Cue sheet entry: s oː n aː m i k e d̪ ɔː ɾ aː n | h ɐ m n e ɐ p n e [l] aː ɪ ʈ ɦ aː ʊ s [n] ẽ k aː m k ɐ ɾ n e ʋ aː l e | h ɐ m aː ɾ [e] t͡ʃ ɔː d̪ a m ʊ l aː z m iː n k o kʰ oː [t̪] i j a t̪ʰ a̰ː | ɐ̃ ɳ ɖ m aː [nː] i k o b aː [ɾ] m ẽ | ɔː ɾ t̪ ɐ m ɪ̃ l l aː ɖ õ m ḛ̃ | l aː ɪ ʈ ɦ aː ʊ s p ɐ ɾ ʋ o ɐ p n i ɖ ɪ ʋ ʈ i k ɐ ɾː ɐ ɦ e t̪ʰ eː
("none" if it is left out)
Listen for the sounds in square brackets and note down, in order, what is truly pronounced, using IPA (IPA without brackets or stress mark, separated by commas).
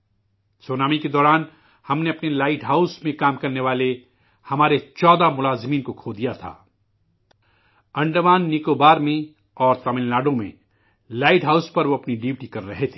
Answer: l, m, e, d̪, nː, ɾ